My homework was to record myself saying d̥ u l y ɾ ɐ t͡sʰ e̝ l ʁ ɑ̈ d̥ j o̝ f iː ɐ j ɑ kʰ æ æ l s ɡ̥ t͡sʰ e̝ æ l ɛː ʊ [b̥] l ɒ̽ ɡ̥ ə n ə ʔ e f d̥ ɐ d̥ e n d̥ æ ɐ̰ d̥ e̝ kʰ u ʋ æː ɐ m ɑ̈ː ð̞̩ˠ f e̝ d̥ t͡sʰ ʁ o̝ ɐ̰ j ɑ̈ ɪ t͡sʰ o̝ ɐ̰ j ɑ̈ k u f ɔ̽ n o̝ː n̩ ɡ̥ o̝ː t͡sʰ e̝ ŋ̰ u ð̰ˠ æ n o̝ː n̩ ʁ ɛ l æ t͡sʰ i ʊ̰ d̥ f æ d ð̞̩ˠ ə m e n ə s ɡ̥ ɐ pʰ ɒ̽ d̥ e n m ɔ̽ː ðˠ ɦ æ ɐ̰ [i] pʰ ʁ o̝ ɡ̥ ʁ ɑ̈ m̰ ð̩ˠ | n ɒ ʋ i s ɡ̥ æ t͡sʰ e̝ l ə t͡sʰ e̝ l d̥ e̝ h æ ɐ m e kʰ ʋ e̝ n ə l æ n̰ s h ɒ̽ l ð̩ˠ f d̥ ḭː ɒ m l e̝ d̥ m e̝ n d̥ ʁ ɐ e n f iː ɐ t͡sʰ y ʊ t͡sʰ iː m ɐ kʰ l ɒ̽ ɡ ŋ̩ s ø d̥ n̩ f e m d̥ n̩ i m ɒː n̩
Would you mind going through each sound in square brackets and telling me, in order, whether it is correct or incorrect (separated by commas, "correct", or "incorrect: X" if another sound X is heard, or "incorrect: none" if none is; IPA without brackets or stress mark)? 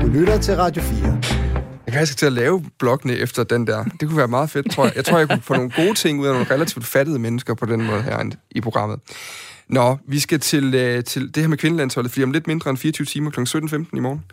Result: correct, correct